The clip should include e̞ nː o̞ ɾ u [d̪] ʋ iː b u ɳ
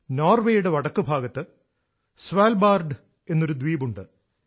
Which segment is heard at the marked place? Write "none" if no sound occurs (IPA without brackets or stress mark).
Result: d̪